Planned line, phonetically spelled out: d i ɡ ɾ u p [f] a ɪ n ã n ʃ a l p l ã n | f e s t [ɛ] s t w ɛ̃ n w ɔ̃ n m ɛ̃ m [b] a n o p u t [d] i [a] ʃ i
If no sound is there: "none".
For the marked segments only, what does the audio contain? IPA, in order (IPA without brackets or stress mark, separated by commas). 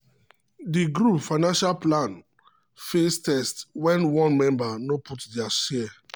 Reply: f, ɛ, b, d, a